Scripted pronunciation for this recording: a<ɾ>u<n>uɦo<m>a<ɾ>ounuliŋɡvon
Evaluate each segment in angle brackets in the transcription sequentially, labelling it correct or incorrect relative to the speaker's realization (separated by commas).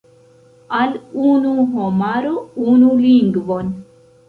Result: incorrect, correct, correct, correct